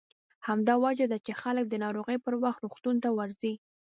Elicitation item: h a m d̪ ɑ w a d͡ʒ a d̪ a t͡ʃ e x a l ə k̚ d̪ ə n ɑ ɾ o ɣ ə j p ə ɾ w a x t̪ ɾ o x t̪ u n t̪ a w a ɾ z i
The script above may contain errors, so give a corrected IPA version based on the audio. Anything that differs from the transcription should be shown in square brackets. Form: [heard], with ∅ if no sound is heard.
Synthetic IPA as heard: h a m d̪ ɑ w a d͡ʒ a d̪ a t͡ʃ e x a l ə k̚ d̪ ə n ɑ ɾ o ɣ ə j p ə ɾ w a x t̪ ɾ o x t̪ u n t̪ a w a ɾ z i

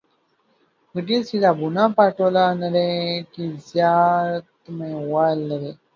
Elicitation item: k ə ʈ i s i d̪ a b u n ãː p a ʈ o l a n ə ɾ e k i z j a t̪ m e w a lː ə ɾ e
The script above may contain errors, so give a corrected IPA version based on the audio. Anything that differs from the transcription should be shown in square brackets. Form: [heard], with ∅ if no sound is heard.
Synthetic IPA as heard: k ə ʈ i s i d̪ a b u n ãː p a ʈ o l a n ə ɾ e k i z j a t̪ m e w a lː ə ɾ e

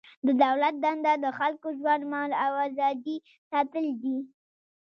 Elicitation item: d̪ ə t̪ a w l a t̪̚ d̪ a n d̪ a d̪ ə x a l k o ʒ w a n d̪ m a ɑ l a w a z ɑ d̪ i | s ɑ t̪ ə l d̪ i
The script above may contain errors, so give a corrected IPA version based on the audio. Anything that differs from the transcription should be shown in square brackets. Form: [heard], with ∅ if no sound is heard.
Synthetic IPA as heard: d̪ ə [d̪] a w l a t̪̚ d̪ a n d̪ a d̪ ə x a l k o ʒ w a n d̪ m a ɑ l a w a z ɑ d̪ i | s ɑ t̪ ə l d̪ i

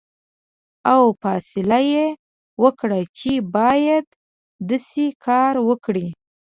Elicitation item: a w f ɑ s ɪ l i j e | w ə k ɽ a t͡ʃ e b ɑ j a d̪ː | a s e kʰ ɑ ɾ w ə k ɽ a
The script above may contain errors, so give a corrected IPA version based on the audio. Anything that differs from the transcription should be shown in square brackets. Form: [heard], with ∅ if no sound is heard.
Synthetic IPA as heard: a w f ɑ s ɪ l [a] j e | w ə k ɽ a t͡ʃ e b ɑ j a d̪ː | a s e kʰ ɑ ɾ w ə k ɽ [i]

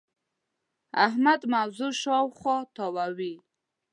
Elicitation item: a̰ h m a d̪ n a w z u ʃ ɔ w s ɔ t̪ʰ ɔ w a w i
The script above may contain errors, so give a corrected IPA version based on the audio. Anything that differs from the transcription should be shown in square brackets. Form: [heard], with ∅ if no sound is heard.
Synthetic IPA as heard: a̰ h m a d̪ [m] a w z u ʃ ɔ w [χ] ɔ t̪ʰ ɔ w a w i

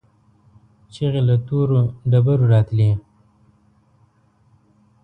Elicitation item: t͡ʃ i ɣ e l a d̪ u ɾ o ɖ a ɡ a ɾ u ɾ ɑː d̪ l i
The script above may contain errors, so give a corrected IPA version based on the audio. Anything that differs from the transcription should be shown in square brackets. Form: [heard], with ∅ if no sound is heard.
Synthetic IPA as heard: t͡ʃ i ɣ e l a [t̪] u ɾ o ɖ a [b] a ɾ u ɾ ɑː [t̪] l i

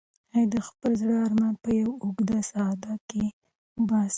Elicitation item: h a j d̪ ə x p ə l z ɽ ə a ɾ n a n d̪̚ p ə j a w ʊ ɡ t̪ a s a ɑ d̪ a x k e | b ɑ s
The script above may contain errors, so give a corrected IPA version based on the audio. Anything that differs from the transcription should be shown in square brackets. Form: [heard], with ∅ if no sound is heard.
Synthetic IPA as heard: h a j d̪ ə x p ə l z ɽ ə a ɾ [m] a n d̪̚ p ə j a w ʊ ɡ [d̪] a s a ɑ d̪ a [∅] k e | b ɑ s

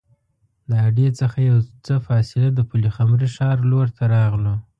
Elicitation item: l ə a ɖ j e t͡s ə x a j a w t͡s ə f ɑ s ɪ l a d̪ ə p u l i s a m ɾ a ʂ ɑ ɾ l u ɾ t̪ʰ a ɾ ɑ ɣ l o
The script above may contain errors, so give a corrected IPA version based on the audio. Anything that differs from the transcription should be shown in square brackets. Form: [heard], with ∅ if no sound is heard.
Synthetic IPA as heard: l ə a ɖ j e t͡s ə x a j a w t͡s ə f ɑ s ɪ l a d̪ ə p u l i [x] a m ɾ [i] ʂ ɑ ɾ l [o] ɾ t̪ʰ a ɾ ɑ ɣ l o

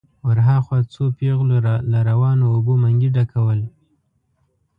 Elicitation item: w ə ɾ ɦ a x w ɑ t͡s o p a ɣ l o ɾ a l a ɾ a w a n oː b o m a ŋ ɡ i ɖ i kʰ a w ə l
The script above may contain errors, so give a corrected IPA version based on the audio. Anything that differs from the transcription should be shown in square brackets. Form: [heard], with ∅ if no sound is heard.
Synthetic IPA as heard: w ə ɾ ɦ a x w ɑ t͡s o p [e] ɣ l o ɾ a l a ɾ a w [ɑ] n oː b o m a ŋ ɡ i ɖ [a] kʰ a w ə l

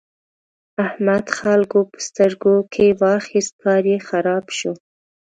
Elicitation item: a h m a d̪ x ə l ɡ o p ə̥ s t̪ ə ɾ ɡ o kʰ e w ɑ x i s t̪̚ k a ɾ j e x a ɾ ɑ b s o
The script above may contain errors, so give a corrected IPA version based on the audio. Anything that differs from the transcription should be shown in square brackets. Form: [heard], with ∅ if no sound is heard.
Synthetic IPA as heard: a h m a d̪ x [a] l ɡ o p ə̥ s t̪ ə ɾ ɡ o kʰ e w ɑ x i s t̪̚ k [ɑ] ɾ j e x a ɾ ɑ b [ʃ] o

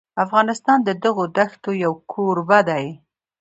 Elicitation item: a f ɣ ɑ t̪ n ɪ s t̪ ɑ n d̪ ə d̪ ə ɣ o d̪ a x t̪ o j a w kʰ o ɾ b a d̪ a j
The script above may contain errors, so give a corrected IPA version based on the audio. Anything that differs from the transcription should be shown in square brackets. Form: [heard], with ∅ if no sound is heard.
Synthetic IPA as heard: a f ɣ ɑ [∅] n ɪ s t̪ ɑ n d̪ ə d̪ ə ɣ o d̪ a x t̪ o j a w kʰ o ɾ b a d̪ a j

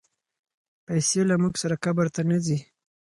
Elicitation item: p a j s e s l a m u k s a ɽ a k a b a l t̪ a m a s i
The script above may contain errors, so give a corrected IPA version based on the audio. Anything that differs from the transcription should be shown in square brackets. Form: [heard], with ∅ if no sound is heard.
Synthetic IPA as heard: p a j s e [∅] l a m u [ɡ] s a [ɾ] a k a b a [ɾ] t̪ a [n] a [z] i

